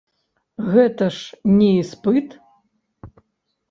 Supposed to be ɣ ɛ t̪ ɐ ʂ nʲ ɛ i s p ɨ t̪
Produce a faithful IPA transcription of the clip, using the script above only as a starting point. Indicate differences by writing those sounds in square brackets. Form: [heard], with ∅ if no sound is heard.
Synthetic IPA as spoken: ɣ ɛ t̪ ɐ ʂ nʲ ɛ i s p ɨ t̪